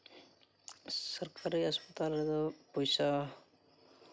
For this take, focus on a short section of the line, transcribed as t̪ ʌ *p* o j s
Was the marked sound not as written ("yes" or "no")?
no